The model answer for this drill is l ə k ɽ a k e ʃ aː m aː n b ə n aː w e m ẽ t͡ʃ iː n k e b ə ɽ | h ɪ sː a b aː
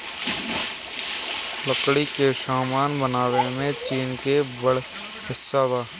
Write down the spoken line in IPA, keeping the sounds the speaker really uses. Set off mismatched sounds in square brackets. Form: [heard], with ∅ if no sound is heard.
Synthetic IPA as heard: l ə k ɽ [i] k e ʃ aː m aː n b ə n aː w e m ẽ t͡ʃ iː n k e b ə ɽ | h ɪ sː a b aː